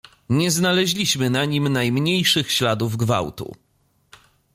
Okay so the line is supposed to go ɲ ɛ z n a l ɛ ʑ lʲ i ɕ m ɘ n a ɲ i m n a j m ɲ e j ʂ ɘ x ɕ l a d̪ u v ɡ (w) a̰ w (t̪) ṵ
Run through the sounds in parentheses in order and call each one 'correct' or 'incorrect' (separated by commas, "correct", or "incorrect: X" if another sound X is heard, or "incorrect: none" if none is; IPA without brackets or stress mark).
incorrect: v, correct